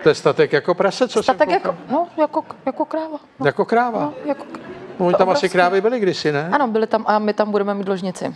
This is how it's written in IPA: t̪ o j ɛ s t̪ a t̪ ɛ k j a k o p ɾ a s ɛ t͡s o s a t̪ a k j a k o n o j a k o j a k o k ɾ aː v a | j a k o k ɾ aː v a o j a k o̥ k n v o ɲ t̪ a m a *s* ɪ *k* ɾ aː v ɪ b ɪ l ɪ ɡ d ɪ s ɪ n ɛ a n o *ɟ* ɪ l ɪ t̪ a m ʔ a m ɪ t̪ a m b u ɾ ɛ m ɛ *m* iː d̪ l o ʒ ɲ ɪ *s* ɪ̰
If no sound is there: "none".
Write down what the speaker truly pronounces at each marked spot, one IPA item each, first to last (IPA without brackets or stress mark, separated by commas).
s, k, b, m, t͡s